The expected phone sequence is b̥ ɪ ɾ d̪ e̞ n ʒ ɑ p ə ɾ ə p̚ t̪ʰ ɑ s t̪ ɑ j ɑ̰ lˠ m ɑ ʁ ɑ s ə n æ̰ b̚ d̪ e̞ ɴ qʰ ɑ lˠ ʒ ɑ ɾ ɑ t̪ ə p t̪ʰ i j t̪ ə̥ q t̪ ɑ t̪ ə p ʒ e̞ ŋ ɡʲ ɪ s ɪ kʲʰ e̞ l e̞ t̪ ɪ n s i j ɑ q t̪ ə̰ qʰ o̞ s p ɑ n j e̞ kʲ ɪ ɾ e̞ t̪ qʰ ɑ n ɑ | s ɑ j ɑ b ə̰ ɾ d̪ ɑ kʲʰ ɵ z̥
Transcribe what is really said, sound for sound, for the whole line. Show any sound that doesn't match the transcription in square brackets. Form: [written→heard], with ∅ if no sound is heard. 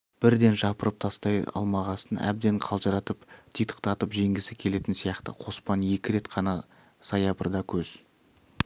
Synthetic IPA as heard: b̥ ɪ ɾ d̪ e̞ n ʒ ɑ p ə ɾ ə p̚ t̪ʰ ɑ s t̪ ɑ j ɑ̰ lˠ m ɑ ʁ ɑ s ə n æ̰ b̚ d̪ e̞ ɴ qʰ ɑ lˠ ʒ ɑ ɾ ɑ t̪ ə p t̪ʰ i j t̪ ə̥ q t̪ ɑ t̪ ə p ʒ e̞ ŋ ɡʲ ɪ s ɪ kʲʰ e̞ l e̞ t̪ ɪ n s i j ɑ q t̪ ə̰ qʰ o̞ s p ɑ n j e̞ kʲ ɪ ɾ e̞ t̪ qʰ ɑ n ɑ | s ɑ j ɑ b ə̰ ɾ d̪ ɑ kʲʰ ɵ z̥